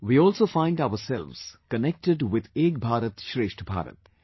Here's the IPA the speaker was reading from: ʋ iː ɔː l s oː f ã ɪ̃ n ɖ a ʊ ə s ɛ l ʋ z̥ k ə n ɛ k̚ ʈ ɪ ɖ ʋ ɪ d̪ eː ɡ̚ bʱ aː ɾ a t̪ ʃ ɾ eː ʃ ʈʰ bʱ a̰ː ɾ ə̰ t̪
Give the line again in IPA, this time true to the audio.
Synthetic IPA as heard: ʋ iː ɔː l s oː f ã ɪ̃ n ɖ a ʊ ə s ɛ l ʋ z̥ k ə n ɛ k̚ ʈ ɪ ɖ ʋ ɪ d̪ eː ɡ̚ bʱ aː ɾ ə t̪ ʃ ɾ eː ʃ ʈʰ bʱ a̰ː ɾ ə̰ t̪